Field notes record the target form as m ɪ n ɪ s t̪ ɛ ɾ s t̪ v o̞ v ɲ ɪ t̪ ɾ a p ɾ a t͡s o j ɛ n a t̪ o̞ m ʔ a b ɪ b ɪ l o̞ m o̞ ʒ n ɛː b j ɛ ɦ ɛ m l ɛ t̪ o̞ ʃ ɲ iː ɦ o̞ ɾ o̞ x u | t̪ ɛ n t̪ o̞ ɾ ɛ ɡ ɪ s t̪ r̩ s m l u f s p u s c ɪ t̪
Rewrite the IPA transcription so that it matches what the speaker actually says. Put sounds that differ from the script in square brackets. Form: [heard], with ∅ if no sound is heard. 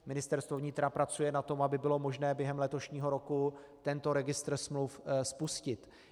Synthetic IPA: m ɪ n ɪ s t̪ ɛ ɾ s t̪ v o̞ v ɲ ɪ t̪ ɾ a p ɾ a t͡s [u] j ɛ n a t̪ o̞ m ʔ a b ɪ b ɪ l o̞ m o̞ ʒ n ɛː b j ɛ ɦ ɛ m l ɛ t̪ o̞ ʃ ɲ iː ɦ o̞ ɾ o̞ [k] u | t̪ ɛ n t̪ o̞ ɾ ɛ ɡ ɪ s t̪ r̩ s m l u f s p u s c ɪ t̪